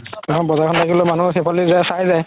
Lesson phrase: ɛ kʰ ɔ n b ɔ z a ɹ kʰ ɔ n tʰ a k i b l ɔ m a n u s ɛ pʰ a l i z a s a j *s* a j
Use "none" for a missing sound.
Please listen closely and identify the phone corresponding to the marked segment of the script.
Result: z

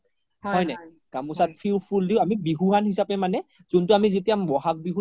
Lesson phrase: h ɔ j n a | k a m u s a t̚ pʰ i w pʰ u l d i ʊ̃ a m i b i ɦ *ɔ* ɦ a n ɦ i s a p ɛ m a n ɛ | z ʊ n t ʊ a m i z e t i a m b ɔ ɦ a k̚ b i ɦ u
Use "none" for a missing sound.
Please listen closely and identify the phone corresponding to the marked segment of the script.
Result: u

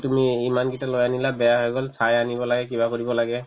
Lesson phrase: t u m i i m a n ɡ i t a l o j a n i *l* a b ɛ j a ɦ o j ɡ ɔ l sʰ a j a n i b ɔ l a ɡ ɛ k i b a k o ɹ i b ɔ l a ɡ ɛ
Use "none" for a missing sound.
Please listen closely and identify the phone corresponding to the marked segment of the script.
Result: l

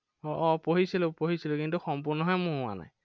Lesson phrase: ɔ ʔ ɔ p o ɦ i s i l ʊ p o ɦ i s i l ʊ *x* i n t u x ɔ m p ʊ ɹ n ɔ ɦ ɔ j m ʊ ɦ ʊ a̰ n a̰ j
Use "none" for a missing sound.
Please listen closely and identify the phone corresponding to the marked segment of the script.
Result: k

